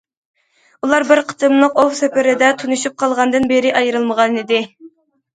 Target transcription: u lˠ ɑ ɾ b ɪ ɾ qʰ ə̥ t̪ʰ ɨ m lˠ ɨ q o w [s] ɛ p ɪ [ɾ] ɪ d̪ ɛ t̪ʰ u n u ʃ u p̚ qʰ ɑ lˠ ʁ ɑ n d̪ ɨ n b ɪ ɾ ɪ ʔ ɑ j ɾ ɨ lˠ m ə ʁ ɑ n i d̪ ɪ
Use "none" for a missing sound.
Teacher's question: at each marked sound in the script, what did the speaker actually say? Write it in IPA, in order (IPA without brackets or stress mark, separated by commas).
s, ɾ